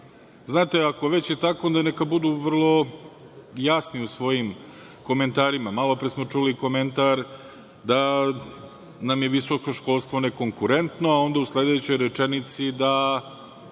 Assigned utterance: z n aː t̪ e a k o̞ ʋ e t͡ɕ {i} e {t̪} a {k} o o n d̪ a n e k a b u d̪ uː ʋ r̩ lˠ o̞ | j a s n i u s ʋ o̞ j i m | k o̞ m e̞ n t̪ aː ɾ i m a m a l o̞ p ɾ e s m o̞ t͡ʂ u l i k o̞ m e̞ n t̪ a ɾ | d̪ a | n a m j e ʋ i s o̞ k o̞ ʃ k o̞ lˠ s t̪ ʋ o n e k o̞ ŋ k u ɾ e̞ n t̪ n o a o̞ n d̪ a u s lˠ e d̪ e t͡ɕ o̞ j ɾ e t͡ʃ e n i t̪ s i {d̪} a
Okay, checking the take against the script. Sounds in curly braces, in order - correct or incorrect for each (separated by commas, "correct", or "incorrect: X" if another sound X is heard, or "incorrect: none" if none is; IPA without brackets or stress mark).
incorrect: j, correct, correct, correct